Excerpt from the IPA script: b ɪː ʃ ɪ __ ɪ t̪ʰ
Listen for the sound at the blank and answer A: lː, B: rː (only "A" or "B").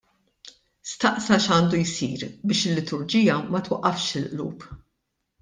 A